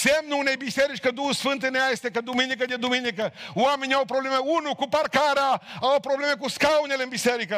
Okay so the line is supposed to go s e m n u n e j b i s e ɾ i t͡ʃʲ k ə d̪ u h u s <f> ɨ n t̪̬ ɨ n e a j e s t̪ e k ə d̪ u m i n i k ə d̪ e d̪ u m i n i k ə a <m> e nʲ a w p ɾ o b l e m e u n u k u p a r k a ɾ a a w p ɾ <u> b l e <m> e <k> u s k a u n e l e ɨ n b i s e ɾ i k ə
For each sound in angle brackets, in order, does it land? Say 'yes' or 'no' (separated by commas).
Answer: yes, yes, no, yes, yes